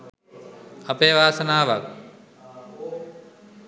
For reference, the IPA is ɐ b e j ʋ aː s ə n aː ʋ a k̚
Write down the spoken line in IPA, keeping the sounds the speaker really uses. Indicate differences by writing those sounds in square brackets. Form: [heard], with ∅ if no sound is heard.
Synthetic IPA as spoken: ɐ [p] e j ʋ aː s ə n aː ʋ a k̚